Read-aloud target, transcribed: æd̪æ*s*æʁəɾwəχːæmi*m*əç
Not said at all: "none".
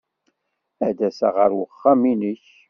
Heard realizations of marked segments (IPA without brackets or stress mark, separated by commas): s, n